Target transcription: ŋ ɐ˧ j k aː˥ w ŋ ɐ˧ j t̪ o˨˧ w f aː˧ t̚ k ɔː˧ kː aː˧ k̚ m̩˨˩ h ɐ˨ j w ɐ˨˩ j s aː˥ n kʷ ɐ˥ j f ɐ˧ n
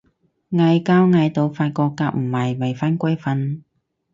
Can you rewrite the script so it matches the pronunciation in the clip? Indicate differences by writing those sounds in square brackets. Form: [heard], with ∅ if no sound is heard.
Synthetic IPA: ŋ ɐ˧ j k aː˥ w ŋ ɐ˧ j t̪ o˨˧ w f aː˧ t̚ k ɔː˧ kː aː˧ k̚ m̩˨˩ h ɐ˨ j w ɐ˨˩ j [f] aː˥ n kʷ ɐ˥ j f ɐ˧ n